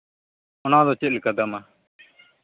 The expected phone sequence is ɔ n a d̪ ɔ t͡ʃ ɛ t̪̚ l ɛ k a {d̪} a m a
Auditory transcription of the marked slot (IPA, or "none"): d̪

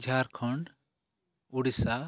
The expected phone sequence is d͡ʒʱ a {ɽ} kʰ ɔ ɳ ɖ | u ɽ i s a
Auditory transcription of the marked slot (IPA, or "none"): ɾ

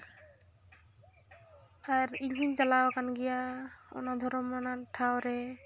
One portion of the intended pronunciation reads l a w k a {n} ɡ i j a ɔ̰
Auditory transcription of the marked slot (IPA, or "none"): n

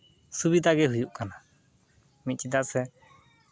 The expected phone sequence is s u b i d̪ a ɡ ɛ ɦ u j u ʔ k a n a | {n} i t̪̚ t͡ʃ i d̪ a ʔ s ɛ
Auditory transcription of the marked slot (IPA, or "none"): m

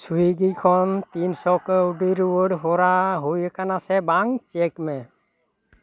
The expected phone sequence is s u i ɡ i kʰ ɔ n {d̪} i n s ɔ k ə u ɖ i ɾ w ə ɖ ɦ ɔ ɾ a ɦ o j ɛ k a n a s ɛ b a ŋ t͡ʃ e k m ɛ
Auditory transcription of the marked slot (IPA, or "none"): t̪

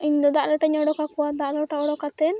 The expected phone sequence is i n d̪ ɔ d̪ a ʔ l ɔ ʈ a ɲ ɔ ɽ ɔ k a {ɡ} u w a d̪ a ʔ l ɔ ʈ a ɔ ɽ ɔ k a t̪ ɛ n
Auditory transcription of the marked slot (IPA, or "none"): k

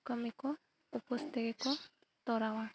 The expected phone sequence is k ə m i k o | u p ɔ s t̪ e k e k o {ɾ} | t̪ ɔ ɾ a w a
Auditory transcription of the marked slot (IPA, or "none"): none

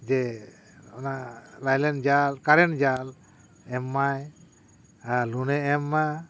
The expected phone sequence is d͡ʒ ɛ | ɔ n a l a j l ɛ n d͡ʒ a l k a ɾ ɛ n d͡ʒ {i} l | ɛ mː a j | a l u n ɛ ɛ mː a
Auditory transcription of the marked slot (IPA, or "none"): a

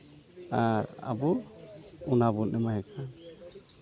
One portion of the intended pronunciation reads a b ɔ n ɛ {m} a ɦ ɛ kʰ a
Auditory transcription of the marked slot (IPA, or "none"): m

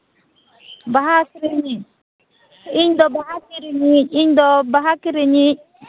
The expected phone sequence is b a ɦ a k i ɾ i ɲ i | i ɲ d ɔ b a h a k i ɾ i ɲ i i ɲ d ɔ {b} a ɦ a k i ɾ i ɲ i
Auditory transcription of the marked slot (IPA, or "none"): b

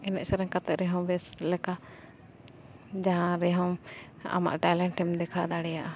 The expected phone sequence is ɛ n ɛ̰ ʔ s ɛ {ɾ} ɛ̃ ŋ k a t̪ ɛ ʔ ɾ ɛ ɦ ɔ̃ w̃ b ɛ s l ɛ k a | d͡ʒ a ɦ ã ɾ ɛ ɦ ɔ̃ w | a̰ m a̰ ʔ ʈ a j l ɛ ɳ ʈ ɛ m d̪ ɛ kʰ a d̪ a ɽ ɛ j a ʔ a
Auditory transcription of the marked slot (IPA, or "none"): ɾ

